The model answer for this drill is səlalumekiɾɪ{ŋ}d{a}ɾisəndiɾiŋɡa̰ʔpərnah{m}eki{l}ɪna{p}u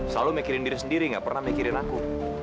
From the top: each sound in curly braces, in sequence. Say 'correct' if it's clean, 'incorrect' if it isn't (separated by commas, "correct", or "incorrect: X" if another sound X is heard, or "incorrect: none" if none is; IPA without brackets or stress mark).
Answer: incorrect: n, incorrect: i, correct, incorrect: ɾ, incorrect: k